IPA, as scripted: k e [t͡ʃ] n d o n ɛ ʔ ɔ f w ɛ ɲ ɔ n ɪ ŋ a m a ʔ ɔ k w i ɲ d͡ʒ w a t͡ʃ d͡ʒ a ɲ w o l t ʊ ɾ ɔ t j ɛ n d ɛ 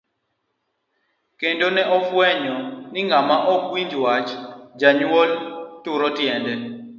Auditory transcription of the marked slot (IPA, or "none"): none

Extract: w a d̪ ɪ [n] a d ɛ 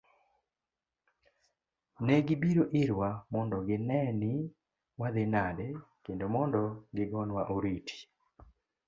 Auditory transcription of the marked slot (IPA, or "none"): n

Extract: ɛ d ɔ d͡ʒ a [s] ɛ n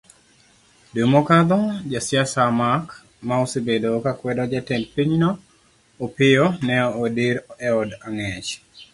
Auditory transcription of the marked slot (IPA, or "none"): t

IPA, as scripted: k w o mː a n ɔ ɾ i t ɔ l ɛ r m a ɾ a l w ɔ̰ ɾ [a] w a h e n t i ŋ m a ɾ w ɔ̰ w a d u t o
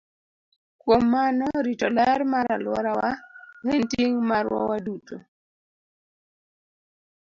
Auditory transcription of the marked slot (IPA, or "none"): a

